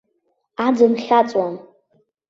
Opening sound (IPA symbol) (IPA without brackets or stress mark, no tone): a